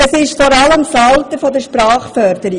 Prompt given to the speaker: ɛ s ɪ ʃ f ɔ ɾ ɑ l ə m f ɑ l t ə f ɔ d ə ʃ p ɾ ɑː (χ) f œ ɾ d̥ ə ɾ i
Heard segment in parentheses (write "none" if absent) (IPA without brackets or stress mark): χ